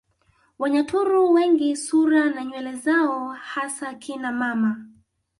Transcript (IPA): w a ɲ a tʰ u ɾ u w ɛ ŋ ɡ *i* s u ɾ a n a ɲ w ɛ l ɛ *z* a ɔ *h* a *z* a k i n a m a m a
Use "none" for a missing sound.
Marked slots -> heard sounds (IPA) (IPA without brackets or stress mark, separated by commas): i, z, h, s